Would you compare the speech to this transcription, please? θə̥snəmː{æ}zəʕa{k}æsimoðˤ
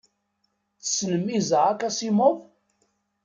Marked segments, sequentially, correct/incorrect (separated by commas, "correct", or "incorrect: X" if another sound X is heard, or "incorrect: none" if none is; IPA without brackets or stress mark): incorrect: i, correct